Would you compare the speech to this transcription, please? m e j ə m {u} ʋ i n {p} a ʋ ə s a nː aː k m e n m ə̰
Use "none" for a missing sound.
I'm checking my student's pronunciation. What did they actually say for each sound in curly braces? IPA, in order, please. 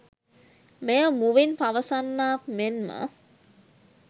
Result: u, p

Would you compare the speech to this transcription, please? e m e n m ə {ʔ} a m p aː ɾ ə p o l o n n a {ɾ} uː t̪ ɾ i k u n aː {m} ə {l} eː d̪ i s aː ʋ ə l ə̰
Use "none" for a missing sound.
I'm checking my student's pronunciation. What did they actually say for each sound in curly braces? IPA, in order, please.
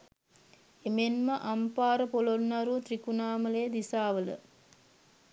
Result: ʔ, ɾ, m, l

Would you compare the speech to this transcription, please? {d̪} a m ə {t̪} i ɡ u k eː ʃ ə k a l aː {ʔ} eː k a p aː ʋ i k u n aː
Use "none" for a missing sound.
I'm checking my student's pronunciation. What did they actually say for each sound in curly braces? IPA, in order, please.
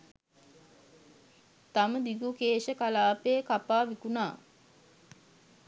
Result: t̪, d̪, p

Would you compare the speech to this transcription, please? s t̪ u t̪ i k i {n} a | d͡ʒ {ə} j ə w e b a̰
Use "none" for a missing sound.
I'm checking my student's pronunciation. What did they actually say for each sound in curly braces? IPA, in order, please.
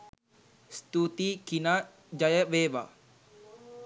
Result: n, a

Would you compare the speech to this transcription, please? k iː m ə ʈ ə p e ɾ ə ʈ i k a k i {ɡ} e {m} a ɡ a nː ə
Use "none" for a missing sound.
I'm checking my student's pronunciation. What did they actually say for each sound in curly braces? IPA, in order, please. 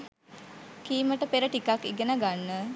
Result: ɡ, n

